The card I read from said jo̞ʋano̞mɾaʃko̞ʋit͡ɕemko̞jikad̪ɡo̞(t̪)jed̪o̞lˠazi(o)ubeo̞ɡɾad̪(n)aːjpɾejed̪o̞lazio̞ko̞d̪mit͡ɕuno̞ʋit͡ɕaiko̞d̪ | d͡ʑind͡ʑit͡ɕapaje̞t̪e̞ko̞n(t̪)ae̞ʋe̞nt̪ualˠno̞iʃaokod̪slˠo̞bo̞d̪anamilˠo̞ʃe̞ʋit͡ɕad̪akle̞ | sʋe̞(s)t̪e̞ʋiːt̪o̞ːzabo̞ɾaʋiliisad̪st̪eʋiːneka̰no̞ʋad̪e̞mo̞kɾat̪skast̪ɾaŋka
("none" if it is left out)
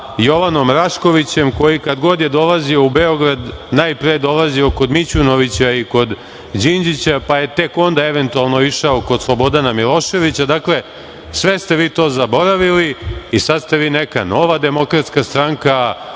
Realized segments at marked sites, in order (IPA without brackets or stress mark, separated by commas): d̪, o, n, d̪, s